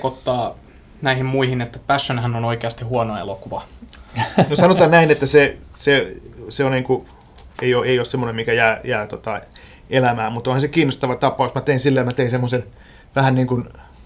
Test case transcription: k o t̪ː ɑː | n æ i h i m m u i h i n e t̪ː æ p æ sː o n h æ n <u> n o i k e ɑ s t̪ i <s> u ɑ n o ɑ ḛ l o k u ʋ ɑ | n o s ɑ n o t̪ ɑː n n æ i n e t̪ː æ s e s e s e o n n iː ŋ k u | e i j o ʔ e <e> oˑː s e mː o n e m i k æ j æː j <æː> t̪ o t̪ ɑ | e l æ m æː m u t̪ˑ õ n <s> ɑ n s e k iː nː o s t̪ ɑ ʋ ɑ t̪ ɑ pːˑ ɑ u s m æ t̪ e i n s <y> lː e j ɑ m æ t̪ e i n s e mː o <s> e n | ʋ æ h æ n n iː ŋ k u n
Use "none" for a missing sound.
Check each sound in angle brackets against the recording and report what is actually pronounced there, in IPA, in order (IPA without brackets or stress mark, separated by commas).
o, h, i, æː, h, i, s